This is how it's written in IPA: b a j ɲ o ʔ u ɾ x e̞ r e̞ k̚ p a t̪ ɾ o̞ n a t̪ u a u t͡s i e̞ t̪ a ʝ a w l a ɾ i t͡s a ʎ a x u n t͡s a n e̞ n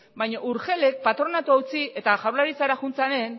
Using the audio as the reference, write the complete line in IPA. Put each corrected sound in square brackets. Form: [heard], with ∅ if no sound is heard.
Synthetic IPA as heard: b a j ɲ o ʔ u ɾ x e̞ [l] e̞ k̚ p a t̪ ɾ o̞ n a t̪ u a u t͡s i e̞ t̪ a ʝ a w l a ɾ i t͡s a [ɾ] a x u n t͡s a n e̞ n